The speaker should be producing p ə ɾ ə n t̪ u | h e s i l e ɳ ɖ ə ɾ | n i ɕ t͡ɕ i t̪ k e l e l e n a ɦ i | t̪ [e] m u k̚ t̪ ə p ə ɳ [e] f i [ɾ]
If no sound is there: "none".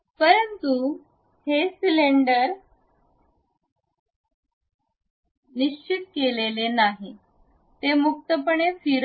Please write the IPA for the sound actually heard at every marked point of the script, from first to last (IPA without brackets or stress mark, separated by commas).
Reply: e, e, ɾ